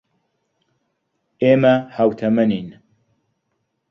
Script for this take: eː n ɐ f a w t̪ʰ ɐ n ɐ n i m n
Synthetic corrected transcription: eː m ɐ h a w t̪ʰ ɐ m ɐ n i n